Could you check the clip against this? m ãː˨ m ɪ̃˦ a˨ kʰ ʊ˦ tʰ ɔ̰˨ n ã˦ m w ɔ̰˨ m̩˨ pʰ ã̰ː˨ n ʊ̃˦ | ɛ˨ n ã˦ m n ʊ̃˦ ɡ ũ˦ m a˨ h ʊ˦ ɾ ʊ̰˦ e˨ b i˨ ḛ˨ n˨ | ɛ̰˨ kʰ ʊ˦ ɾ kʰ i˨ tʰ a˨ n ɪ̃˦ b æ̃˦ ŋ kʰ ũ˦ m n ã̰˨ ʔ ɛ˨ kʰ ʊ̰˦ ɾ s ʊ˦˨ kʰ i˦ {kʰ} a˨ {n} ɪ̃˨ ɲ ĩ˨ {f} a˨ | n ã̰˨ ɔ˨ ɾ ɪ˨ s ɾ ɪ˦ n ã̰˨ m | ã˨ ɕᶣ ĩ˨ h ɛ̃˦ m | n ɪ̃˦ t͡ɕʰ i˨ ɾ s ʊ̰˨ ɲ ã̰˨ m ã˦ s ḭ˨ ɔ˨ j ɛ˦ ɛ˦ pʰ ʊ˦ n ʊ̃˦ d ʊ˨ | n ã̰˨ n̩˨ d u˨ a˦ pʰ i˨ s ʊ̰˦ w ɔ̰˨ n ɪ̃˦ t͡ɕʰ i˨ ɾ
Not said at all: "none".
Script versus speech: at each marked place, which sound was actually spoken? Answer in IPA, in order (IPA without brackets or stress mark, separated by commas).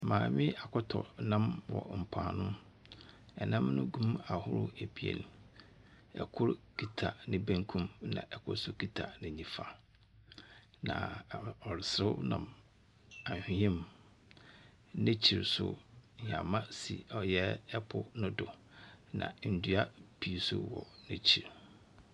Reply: tʰ, n, f